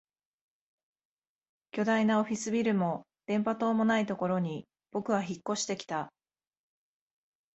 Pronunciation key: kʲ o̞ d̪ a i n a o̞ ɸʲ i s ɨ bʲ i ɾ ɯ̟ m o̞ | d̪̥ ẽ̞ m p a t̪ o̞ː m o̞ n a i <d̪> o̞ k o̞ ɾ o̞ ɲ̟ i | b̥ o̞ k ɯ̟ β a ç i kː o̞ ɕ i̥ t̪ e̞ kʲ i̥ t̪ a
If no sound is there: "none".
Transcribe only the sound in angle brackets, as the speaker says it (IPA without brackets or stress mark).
t̪